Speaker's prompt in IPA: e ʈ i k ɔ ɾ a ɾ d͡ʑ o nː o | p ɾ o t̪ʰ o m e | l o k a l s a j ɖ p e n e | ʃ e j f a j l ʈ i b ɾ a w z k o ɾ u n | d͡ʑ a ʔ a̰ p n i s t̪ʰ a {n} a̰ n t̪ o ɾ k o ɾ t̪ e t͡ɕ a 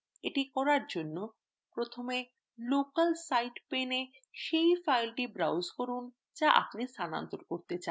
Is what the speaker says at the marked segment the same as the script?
yes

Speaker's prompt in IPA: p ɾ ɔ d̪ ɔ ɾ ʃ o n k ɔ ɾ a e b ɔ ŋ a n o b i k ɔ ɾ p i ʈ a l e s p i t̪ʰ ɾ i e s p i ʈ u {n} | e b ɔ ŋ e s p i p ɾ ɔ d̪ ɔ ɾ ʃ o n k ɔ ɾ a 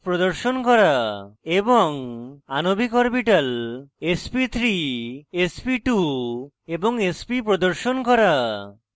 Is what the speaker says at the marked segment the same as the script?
no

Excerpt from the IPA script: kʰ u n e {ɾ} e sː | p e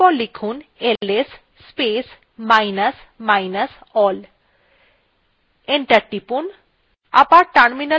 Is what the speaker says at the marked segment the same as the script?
no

